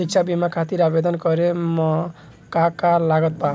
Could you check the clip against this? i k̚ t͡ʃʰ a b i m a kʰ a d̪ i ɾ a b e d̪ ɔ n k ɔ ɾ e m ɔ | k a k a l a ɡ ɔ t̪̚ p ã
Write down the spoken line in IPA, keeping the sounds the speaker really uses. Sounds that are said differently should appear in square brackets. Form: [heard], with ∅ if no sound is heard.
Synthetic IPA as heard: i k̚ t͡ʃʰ a b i m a kʰ a [t̪] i ɾ a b e d̪ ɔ n k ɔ ɾ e m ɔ | k a k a l a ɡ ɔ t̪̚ p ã